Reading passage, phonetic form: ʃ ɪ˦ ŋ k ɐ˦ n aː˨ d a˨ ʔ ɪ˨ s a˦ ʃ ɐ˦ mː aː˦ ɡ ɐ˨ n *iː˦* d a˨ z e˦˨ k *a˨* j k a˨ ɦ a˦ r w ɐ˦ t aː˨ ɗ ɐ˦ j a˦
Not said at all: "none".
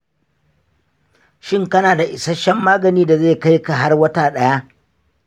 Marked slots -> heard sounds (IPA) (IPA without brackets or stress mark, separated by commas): iː˦, a˦